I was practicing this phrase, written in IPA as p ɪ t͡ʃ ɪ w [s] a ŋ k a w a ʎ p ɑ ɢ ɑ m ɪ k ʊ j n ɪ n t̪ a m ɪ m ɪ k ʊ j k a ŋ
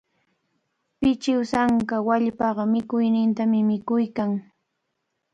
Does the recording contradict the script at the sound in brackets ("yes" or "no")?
no